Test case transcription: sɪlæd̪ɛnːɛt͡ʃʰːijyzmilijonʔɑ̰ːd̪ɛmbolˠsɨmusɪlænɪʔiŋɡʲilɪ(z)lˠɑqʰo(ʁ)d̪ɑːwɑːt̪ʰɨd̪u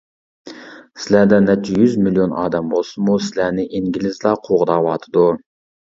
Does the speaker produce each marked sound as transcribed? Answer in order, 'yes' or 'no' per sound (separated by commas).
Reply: yes, yes